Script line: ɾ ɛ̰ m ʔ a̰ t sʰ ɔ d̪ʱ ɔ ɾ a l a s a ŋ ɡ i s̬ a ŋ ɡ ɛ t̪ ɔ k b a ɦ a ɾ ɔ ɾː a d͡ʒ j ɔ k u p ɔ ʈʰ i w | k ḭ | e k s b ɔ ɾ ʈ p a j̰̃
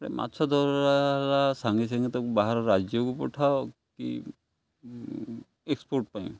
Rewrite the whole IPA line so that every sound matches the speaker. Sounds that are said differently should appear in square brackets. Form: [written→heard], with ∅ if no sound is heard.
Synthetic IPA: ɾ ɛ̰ m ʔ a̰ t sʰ ɔ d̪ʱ ɔ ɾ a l a s a ŋ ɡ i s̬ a ŋ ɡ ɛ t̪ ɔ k b a ɦ a ɾ ɔ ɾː a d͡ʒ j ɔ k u p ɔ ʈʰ [i→a] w | k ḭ | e k s [b→p] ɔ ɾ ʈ p a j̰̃